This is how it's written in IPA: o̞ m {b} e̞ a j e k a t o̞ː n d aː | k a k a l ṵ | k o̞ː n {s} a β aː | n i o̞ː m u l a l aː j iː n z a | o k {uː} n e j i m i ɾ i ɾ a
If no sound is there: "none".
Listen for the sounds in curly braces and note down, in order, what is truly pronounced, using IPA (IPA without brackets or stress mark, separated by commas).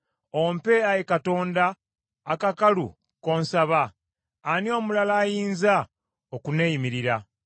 p, s, u